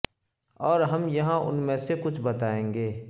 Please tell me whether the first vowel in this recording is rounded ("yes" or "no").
yes